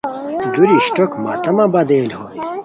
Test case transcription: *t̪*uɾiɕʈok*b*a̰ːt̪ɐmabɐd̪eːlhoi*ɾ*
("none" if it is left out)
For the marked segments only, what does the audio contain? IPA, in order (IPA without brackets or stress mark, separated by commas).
d̪, m, none